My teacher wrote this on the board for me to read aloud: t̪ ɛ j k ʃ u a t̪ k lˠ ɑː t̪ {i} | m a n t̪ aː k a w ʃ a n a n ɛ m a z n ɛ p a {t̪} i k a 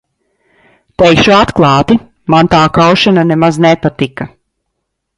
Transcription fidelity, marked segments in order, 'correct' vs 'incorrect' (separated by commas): correct, correct